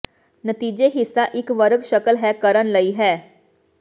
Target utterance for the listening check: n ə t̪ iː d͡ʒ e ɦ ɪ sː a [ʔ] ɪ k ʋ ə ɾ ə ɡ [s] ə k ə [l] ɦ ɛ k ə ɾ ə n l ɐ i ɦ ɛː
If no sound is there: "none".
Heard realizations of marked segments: ʔ, ʃ, l

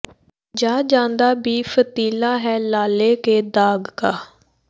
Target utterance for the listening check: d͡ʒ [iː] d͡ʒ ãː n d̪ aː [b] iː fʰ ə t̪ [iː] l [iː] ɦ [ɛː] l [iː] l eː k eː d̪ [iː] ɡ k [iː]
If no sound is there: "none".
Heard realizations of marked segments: aː, b, iː, aː, ɛː, aː, aː, aː

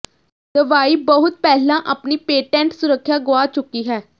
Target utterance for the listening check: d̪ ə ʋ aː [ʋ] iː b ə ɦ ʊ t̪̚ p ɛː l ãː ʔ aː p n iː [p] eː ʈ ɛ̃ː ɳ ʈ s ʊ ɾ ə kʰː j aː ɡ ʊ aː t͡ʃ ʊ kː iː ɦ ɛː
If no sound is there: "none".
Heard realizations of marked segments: none, p

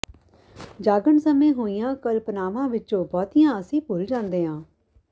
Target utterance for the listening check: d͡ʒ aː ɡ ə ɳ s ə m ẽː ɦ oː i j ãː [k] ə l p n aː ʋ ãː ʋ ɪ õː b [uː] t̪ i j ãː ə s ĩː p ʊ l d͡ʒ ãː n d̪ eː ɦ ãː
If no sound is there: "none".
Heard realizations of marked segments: k, ɔː

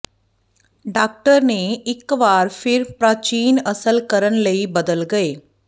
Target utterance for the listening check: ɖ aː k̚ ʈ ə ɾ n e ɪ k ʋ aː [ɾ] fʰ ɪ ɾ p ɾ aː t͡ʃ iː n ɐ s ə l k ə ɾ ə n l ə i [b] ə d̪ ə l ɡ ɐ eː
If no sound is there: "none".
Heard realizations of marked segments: ɾ, b

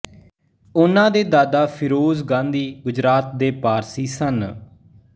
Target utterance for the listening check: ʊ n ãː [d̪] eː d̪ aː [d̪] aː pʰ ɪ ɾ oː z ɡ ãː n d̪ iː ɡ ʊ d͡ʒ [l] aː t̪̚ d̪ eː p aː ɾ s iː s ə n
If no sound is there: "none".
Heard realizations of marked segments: d̪, d̪, ɾ

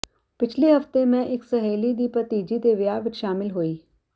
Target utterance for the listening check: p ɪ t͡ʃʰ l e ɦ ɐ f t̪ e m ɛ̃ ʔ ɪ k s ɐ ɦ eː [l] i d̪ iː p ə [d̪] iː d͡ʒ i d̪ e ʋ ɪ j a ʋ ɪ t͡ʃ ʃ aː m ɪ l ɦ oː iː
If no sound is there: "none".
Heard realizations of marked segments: l, t̪

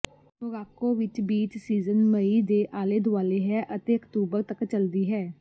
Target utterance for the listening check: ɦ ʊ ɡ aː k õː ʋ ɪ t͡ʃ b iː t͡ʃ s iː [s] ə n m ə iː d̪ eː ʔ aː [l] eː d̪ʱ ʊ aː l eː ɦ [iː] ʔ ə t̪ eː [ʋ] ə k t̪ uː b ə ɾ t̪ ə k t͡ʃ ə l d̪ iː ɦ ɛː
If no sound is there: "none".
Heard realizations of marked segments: z, l, ɛː, none

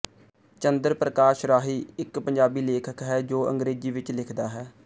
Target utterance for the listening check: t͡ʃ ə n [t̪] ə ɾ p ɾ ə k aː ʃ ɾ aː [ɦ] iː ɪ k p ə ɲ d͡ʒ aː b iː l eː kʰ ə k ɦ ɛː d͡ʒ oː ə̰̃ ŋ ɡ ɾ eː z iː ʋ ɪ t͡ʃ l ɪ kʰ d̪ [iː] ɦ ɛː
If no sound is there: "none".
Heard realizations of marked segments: d̪, ɦ, aː

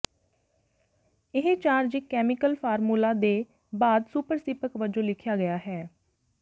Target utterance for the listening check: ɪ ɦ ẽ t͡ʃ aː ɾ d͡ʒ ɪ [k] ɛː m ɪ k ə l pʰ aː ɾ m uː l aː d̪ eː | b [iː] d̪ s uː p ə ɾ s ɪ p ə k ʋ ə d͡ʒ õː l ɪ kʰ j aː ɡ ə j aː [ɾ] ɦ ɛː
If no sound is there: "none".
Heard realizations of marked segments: k, aː, none

